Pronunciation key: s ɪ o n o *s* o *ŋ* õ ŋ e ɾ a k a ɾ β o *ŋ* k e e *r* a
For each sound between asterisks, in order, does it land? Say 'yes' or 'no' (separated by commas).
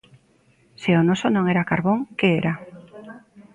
yes, no, yes, no